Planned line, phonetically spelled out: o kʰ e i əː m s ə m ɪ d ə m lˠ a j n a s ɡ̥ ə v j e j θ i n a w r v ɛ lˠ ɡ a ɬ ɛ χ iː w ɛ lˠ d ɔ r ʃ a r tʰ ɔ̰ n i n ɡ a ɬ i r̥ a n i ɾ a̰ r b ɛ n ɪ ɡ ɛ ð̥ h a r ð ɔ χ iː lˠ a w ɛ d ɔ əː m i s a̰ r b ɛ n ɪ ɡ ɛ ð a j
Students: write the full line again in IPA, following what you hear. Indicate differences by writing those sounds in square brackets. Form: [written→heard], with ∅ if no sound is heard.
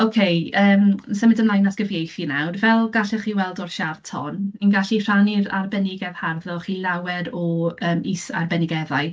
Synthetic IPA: o kʰ e [i→j] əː m s ə m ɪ d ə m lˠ a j n a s ɡ̥ ə v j e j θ i n a w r v ɛ lˠ ɡ a ɬ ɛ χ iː w ɛ lˠ d ɔ r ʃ a r tʰ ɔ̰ n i n ɡ a ɬ i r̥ a n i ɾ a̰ r b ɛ n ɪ ɡ ɛ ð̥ h a r ð ɔ χ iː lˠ a w ɛ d ɔ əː m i s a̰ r b ɛ n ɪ ɡ ɛ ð a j